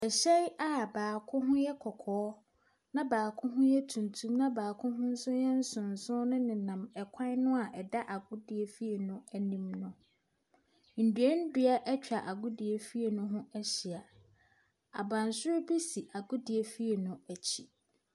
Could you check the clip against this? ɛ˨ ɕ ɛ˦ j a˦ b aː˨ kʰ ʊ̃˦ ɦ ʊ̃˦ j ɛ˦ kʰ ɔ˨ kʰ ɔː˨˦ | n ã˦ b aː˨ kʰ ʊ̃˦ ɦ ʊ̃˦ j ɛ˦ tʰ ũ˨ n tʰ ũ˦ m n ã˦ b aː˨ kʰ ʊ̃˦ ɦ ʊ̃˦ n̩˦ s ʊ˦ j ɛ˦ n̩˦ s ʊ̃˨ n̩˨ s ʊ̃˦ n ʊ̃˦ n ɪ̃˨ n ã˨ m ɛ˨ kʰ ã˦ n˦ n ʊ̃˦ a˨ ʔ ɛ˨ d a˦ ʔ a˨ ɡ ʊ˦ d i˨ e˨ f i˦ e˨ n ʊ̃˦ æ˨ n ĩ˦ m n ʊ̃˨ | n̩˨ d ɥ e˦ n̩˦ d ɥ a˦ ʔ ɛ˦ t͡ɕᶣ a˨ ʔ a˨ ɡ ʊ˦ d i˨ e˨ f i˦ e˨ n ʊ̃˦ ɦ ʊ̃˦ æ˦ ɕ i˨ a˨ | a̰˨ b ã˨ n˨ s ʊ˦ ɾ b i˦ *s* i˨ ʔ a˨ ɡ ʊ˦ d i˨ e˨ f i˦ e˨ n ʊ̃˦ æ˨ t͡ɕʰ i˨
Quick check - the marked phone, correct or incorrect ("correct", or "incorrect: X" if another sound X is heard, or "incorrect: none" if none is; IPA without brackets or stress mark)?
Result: correct